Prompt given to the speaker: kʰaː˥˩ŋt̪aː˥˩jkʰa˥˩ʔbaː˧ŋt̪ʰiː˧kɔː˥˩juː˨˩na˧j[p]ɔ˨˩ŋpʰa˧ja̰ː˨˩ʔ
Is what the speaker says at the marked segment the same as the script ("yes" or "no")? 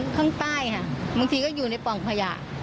yes